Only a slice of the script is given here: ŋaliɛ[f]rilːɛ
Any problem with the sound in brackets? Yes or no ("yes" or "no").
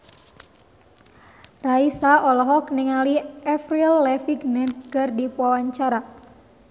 no